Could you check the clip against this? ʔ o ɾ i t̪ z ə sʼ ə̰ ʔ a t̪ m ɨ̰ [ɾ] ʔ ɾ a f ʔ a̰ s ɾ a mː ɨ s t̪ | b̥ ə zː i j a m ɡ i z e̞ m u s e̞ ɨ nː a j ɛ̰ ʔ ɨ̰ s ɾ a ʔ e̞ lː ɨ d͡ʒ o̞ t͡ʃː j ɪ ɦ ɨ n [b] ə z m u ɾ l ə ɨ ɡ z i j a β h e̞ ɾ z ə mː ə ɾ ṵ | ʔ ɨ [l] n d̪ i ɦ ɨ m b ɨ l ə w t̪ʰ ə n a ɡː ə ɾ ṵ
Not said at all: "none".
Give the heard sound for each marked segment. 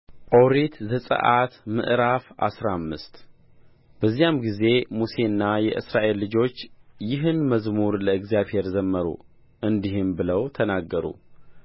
none, m, none

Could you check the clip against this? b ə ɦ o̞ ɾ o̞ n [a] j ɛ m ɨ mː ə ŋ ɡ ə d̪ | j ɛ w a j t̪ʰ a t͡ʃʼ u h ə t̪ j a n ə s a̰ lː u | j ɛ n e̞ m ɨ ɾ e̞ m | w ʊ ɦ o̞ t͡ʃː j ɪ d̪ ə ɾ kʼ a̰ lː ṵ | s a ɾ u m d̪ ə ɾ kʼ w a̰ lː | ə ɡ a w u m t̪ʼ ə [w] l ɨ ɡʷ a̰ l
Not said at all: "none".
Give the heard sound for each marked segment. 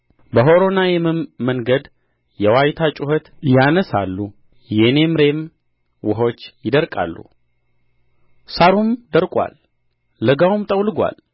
a, w

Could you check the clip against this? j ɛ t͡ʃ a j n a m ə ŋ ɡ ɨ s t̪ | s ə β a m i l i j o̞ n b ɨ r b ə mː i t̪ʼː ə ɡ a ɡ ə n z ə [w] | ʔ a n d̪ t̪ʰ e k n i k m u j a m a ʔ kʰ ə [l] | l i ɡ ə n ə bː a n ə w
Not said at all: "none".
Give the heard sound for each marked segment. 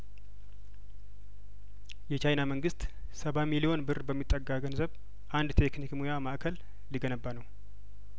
β, l

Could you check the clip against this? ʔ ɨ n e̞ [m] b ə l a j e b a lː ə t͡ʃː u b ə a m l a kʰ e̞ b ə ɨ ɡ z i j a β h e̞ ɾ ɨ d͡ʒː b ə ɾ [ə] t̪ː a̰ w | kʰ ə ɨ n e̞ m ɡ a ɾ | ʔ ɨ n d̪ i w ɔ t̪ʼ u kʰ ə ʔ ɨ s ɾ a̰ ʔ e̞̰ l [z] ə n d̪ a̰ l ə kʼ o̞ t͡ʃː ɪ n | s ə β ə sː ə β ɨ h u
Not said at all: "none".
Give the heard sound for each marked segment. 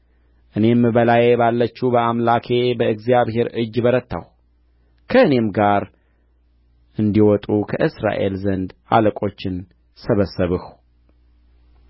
m, ə, z

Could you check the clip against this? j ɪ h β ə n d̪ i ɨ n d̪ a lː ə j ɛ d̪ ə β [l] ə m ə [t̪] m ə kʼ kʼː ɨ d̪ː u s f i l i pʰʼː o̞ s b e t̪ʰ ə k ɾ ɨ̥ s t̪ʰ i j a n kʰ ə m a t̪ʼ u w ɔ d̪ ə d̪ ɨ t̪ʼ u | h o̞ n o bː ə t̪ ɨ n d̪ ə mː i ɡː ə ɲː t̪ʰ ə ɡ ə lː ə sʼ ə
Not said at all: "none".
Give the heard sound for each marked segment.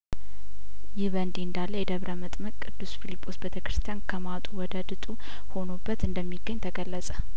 ɾ, t̪ʼ

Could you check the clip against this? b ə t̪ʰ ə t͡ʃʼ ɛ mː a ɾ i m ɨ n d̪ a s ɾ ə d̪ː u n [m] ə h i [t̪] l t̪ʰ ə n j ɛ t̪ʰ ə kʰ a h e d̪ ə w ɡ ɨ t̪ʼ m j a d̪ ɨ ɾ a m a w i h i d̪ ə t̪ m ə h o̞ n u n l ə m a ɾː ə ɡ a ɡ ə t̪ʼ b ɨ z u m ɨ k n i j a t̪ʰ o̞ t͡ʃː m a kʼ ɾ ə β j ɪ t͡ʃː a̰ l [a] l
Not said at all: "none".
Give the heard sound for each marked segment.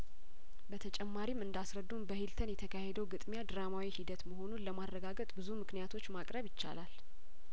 b, none, a

